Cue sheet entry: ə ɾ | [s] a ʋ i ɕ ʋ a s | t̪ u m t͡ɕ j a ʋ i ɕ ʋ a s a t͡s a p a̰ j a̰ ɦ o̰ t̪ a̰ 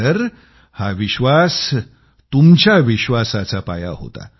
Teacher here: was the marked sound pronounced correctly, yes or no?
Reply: no